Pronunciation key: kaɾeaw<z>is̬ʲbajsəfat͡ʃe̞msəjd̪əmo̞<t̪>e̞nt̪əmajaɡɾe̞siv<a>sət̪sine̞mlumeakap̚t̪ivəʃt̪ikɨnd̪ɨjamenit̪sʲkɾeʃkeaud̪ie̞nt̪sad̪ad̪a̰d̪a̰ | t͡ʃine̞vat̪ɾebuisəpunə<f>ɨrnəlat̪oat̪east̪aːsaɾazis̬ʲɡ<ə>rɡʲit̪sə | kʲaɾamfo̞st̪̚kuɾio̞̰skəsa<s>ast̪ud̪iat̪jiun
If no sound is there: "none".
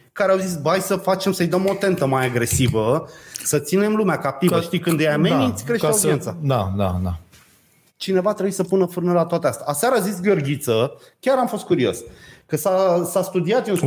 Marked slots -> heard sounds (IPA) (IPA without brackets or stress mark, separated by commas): z, t̪, ə, f, ə, s